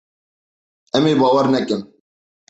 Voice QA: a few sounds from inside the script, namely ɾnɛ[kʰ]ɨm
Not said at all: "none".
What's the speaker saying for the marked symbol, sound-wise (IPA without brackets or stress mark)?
k